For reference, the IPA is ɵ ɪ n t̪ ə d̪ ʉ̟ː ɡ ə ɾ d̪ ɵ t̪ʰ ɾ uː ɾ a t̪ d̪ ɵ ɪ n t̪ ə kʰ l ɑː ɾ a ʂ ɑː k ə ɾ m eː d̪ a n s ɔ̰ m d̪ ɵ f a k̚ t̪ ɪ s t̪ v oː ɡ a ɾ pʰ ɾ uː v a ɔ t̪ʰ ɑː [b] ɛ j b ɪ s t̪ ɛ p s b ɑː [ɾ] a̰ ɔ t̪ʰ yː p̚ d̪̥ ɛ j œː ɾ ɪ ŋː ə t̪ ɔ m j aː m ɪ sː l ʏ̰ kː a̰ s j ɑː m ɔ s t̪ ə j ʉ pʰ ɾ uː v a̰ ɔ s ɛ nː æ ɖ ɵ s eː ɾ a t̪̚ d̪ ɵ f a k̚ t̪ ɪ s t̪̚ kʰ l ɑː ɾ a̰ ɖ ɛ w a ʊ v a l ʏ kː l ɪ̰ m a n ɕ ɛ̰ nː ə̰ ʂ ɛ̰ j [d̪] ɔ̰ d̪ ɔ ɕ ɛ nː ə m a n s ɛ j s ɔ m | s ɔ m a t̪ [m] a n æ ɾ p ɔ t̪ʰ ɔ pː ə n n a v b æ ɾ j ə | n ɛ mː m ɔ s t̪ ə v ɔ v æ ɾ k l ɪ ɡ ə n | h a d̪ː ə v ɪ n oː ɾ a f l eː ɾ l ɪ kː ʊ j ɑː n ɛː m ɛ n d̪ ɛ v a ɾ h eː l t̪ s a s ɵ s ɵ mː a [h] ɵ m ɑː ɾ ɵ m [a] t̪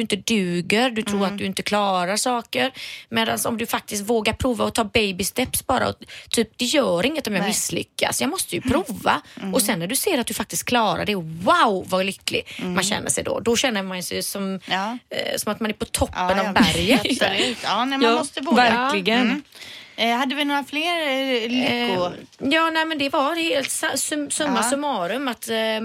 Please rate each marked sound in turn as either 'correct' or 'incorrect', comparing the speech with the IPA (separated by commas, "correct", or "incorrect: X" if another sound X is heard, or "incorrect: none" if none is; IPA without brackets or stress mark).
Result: correct, correct, correct, correct, incorrect: s, correct